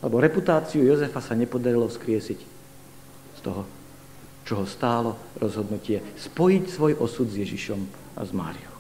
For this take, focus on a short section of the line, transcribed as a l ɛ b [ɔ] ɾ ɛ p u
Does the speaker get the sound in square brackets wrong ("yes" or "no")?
no